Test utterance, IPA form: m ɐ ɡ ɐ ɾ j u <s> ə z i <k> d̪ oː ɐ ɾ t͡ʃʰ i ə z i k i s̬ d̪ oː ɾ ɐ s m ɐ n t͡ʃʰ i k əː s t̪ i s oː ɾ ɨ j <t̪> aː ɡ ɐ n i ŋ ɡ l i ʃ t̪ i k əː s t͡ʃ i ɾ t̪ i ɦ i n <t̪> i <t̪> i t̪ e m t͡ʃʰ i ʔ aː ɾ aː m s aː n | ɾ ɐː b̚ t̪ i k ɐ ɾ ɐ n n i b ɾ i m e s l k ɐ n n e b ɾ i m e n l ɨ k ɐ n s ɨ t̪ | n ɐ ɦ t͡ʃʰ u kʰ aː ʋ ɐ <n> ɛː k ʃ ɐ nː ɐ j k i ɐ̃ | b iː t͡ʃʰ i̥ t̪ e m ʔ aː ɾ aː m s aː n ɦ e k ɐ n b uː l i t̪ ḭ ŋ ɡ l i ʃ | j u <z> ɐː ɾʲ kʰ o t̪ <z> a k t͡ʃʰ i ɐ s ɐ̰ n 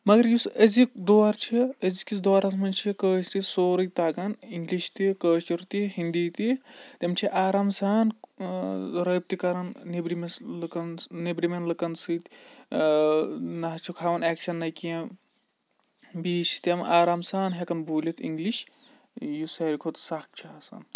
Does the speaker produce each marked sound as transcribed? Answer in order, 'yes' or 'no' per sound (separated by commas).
yes, yes, yes, no, yes, yes, no, no